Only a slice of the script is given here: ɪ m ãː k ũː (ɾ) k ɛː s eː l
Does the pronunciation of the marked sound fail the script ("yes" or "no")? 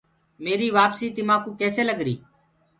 yes